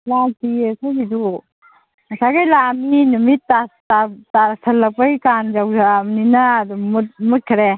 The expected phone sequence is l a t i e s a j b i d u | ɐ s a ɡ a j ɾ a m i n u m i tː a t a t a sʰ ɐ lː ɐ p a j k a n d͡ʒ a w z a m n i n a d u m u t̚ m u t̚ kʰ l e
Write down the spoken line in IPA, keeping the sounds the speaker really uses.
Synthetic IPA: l a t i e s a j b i d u | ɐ s a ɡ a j l a m i n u m i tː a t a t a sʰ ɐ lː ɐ p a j k a n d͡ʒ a w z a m n i n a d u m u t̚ m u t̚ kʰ ɾ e